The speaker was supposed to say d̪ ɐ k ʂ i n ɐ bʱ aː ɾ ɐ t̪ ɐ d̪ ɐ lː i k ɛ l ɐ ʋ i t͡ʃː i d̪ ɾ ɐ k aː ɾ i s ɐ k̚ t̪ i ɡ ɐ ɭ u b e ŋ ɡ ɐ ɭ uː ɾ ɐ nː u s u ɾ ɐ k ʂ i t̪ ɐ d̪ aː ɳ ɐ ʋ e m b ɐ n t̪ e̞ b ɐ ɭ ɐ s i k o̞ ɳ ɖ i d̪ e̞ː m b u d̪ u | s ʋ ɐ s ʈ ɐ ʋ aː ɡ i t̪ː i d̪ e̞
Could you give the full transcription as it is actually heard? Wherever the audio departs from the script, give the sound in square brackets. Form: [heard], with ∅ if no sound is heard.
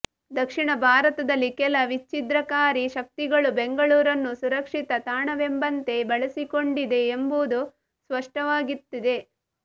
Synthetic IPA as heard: d̪ ɐ k ʂ i [ɳ] ɐ bʱ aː ɾ ɐ t̪ ɐ d̪ ɐ lː i k ɛ l ɐ ʋ i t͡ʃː i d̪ ɾ ɐ k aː ɾ i [ʃ] ɐ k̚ t̪ i ɡ ɐ ɭ u b e ŋ ɡ ɐ ɭ uː ɾ ɐ nː u s u ɾ ɐ k ʂ i t̪ ɐ [t̪] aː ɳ ɐ ʋ e m b ɐ n t̪ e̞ b ɐ ɭ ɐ s i k o̞ ɳ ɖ i d̪ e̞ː m b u d̪ u | s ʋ ɐ [ʂ] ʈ ɐ ʋ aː ɡ i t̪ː i d̪ e̞